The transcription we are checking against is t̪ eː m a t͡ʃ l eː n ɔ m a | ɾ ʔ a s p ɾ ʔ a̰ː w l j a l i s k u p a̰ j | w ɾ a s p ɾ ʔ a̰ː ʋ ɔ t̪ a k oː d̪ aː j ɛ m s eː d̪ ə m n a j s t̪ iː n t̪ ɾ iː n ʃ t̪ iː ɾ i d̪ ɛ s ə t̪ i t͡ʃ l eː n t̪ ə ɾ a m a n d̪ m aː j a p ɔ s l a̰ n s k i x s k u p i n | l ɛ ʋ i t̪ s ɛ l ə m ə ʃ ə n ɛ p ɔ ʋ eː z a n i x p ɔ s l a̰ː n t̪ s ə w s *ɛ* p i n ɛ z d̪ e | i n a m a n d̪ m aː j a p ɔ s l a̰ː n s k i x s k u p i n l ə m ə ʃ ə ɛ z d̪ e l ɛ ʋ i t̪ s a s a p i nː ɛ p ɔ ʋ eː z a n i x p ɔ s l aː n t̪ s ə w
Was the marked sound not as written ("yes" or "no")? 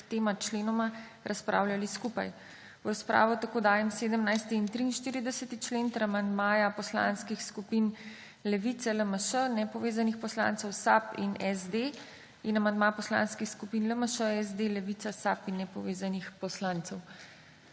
yes